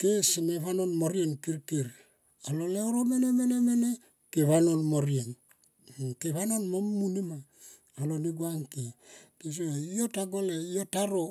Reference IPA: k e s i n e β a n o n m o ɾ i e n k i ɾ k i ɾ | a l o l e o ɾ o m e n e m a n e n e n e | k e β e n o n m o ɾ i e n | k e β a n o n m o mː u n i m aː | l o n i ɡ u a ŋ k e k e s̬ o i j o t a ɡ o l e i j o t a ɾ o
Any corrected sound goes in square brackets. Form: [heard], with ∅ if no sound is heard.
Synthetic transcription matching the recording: k e s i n e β a n o n m o ɾ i e n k i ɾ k i ɾ | a l o l e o ɾ o m e n e m [e] n e [m] e n e | k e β [a] n o n m o ɾ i e n | k e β a n o n m o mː u n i m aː | l o n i ɡ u a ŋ k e k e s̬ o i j o t a ɡ o l e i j o t a ɾ o